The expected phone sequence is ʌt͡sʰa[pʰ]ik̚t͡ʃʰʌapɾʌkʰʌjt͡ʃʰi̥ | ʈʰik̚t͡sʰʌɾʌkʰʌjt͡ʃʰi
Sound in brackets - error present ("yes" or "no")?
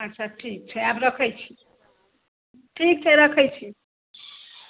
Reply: yes